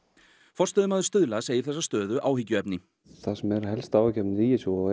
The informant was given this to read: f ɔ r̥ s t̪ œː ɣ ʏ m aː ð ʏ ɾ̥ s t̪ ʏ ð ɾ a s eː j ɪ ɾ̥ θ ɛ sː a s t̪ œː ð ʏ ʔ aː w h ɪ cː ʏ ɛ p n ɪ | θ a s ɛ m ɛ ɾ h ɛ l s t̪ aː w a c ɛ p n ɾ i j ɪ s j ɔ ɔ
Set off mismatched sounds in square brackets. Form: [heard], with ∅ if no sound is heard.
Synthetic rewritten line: f ɔ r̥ s t̪ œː [ð] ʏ m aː ð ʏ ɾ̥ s t̪ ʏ ð [l] a s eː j ɪ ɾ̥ θ ɛ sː a s t̪ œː ð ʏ ʔ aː w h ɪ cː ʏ ɛ p n ɪ | θ a s ɛ m ɛ ɾ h ɛ l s t̪ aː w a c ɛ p n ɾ i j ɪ s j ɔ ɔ